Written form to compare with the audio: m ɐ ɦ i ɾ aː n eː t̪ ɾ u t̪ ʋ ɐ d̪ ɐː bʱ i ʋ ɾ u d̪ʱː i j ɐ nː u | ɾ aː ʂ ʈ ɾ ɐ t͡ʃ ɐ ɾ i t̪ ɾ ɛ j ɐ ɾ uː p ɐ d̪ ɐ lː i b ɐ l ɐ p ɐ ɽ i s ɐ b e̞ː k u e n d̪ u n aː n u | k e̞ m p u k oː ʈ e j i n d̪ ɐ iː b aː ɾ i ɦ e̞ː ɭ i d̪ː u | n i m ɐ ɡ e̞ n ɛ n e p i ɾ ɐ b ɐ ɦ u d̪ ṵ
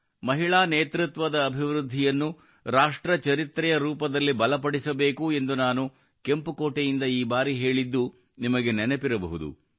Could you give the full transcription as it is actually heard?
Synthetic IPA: m ɐ ɦ i ɭ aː n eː t̪ ɾ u t̪ ʋ ɐ d̪ ɐː bʱ i ʋ ɾ u d̪ʱː i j ɐ nː u | ɾ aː ʂ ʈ ɾ ɐ t͡ʃ ɐ ɾ i t̪ ɾ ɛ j ɐ ɾ uː p ɐ d̪ ɐ lː i b ɐ l ɐ p ɐ ɽ i s ɐ b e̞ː k u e n d̪ u n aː n u | k e̞ m p u k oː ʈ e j i n d̪ ɐ iː b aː ɾ i ɦ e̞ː ɭ i d̪ː u | n i m ɐ ɡ e̞ n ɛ n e p i ɾ ɐ b ɐ ɦ u d̪ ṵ